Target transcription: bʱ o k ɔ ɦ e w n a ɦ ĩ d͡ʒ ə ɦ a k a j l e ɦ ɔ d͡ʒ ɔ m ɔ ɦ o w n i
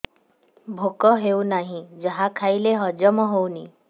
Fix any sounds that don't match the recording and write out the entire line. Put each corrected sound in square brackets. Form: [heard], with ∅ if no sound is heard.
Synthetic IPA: bʱ o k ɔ ɦ e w n a ɦ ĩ d͡ʒ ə ɦ a [kʰ] a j l e ɦ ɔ d͡ʒ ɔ m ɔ ɦ o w n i